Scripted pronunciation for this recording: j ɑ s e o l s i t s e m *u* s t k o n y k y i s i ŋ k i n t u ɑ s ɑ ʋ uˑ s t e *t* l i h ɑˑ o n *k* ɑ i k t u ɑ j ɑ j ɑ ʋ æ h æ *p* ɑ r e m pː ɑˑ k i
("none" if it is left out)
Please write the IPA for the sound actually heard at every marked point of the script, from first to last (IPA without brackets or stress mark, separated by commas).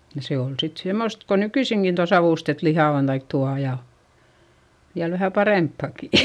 o, t, t, p